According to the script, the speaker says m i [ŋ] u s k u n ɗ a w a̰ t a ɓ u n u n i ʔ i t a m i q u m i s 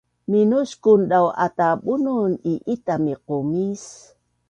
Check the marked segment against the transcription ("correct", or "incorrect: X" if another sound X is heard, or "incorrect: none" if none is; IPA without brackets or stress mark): incorrect: n